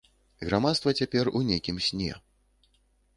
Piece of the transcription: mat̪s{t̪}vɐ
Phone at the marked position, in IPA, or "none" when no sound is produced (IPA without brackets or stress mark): t̪